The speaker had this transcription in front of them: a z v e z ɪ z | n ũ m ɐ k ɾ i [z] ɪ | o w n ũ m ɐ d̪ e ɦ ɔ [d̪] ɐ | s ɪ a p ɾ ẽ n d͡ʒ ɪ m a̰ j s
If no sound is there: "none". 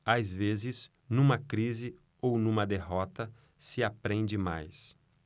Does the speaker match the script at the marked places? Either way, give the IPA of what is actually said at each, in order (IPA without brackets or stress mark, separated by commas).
z, t̪